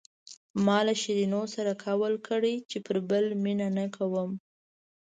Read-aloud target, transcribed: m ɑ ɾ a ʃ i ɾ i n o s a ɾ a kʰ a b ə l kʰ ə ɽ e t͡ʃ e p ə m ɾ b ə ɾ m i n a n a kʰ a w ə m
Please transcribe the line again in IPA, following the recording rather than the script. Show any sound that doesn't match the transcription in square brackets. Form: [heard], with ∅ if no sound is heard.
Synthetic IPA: m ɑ [l] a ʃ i ɾ i n o s a ɾ a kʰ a [w] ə l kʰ ə ɽ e t͡ʃ e p ə [∅] ɾ b ə [l] m i n a n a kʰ a w ə m